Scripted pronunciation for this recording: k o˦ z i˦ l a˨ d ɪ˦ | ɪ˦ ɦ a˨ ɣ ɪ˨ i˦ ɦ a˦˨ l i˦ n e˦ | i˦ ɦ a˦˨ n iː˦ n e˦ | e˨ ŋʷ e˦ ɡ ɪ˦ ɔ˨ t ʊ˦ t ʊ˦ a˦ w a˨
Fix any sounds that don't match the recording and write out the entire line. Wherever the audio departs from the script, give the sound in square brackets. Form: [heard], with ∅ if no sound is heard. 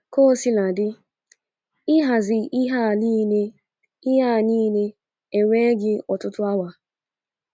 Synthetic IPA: k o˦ [s] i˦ l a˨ d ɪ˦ | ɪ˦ ɦ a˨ [z] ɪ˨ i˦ ɦ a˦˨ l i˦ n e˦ | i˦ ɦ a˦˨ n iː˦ n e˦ | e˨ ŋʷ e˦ ɡ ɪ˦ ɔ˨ t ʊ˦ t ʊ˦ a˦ w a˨